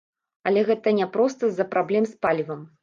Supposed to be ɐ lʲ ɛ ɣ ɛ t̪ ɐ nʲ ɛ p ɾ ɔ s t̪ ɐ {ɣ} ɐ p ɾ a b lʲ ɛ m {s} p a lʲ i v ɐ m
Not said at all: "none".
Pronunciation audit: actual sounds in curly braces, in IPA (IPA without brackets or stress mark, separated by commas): z, s